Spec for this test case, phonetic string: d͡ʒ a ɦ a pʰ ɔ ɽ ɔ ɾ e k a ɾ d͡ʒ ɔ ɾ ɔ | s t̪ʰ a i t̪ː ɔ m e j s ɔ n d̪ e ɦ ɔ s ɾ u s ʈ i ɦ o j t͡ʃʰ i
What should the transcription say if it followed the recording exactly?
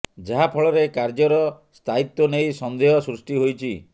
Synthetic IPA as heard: d͡ʒ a ɦ a pʰ ɔ ɭ ɔ ɾ e k a ɾ d͡ʒ ɔ ɾ ɔ | s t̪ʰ a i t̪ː ɔ n e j s ɔ n d̪ e ɦ ɔ s ɾ u s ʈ i ɦ o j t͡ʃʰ i